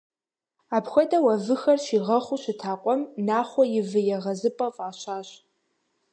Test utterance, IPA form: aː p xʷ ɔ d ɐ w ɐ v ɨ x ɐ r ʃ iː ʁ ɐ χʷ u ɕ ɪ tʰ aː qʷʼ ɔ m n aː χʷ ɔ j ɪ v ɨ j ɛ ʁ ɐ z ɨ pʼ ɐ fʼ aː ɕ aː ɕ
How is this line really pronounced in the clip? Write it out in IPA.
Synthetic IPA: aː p xʷ ɔ d ɐ w ɐ v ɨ x ɐ r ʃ iː ʁ ɐ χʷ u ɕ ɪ tʰ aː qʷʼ ɔ m n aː χʷ ɔ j ɪ v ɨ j ɛ ʁ ɐ z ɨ pʼ ɐ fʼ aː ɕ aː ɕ